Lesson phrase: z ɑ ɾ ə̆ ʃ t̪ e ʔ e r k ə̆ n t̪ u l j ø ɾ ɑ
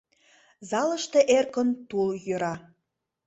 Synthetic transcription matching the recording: z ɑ l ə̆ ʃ t̪ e ʔ e r k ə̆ n t̪ u l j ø ɾ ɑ

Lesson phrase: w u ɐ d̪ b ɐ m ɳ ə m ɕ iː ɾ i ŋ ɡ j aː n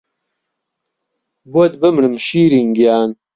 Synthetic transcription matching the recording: b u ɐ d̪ b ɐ m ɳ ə m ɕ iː ɾ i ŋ ɡ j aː n

